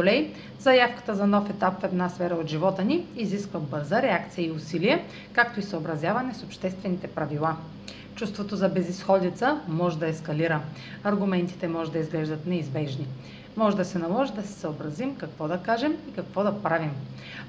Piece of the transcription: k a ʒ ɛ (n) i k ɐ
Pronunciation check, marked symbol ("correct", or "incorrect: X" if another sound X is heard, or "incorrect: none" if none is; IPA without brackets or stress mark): incorrect: m